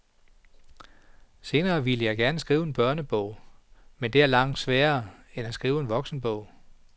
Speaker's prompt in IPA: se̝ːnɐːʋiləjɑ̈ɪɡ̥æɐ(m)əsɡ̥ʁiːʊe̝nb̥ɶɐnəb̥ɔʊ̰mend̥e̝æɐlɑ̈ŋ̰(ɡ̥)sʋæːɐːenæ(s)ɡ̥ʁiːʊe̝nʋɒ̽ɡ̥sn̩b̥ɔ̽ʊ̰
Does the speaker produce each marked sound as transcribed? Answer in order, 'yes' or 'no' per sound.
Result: no, no, yes

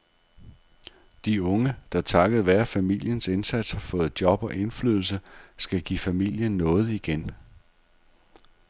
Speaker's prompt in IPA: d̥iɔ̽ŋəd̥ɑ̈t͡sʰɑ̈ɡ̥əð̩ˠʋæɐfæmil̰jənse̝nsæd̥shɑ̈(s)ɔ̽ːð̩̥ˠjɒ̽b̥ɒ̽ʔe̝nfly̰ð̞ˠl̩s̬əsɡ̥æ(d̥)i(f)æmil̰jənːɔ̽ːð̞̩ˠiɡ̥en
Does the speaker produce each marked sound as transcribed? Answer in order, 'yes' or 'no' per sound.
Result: no, no, yes

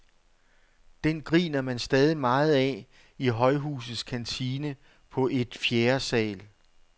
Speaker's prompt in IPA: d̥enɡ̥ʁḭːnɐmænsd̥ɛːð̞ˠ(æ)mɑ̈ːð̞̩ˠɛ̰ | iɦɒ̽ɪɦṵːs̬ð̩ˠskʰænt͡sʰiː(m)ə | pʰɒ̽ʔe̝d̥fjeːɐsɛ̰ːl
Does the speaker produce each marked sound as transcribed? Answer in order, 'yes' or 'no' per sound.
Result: no, no

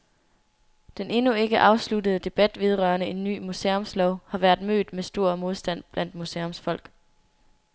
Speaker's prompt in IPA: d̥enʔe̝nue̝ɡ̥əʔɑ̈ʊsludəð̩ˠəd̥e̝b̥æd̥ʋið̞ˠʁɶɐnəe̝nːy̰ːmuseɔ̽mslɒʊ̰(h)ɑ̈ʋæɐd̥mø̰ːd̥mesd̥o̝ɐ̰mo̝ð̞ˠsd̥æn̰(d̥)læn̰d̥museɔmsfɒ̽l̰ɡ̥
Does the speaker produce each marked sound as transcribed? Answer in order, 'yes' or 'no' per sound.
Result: yes, no

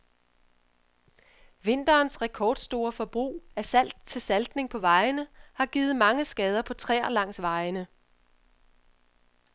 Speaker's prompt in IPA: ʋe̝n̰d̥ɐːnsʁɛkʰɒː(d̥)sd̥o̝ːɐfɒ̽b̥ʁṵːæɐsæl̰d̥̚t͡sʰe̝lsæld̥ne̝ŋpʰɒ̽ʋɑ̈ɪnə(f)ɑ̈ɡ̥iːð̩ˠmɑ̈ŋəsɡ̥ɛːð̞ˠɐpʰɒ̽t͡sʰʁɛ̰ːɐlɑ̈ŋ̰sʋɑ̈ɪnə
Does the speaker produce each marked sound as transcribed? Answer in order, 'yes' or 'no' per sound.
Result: yes, no

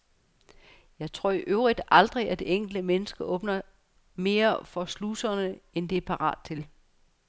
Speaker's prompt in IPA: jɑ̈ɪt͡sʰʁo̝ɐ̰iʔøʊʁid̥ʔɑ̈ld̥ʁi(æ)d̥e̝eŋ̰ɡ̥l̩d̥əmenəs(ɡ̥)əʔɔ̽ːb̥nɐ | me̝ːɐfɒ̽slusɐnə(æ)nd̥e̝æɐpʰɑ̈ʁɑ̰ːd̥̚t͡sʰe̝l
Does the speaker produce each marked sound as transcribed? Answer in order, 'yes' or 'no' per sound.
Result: yes, yes, no

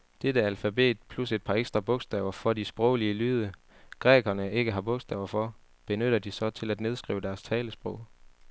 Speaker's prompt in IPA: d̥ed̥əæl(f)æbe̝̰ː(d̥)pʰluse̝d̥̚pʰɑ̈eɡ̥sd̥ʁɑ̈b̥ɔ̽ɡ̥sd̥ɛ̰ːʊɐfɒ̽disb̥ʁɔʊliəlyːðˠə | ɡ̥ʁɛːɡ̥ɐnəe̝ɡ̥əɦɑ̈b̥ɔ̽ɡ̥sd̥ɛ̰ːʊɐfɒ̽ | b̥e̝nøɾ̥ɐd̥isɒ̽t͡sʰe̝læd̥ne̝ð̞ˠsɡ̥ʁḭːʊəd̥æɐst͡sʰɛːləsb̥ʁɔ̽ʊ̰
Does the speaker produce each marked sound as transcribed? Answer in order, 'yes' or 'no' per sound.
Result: yes, yes

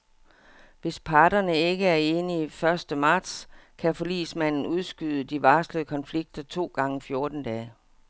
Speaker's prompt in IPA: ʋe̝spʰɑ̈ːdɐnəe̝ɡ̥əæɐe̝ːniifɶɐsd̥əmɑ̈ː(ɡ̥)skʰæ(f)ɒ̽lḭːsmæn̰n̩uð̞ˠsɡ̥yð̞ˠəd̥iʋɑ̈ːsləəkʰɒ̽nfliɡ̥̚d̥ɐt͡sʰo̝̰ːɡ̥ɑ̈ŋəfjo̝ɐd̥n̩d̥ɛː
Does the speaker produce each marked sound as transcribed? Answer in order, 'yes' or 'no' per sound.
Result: no, yes

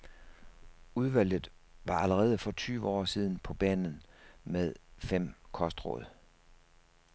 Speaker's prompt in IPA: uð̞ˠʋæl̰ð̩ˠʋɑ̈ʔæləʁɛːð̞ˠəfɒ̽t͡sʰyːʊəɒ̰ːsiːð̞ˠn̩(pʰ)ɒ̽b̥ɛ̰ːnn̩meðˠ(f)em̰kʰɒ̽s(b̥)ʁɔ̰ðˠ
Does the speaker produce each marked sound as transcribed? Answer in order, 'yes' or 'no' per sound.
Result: yes, yes, no

